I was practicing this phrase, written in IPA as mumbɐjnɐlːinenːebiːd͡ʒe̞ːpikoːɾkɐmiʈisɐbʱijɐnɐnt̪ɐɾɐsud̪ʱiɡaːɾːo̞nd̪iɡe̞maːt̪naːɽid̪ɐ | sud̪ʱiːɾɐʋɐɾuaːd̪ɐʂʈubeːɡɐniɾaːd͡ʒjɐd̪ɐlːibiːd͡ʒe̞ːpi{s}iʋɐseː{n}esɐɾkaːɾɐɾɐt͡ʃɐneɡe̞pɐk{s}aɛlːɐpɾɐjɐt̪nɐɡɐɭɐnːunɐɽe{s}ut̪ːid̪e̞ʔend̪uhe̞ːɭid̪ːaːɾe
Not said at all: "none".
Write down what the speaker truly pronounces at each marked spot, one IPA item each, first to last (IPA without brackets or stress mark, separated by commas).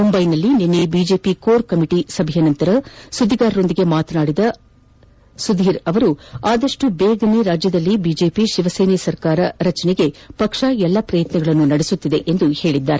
ʃ, n, ʂ, s